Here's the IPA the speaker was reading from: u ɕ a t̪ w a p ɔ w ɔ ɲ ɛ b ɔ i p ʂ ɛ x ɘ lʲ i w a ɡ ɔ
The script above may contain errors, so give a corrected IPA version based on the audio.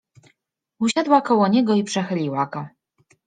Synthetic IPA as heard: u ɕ a d̪ w a k ɔ w ɔ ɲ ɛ ɡ ɔ i p ʂ ɛ x ɘ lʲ i w a ɡ ɔ